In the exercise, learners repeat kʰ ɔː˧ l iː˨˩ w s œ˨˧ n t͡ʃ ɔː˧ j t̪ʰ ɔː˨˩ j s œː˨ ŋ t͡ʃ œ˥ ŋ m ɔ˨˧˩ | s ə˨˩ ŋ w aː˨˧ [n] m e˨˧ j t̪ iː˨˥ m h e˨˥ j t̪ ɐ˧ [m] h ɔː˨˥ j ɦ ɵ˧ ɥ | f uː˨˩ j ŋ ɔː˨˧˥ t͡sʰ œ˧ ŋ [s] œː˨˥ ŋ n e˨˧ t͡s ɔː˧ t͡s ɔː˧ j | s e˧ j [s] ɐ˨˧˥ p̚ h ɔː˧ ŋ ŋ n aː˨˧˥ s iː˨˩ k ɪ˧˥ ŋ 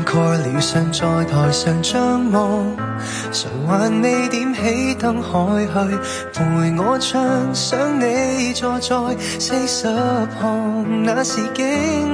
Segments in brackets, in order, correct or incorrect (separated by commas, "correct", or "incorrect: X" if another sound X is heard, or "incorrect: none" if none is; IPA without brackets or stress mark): correct, incorrect: ŋ, correct, correct